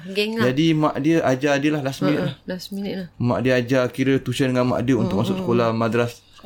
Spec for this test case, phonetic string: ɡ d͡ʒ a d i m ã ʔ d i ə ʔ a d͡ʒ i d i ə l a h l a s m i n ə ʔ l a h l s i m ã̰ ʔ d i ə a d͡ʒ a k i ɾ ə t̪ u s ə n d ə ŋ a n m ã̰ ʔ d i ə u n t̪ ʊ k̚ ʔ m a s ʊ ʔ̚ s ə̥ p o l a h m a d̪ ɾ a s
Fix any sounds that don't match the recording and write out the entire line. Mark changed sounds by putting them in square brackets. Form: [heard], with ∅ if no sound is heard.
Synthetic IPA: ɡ d͡ʒ a d i m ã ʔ d i ə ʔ a d͡ʒ [a] d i ə l a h l a s m i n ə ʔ l a h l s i m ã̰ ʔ d i ə a d͡ʒ a k i ɾ ə t̪ u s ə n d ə ŋ a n m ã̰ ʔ d i ə u n t̪ ʊ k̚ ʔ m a s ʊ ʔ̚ s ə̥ [k] o l a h m a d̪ ɾ a s